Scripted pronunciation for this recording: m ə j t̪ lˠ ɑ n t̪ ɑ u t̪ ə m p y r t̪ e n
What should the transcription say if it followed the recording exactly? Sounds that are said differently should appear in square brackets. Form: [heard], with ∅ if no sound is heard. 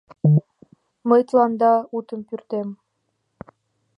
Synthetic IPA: m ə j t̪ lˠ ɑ n [d̪] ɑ u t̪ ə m p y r t̪ e [m]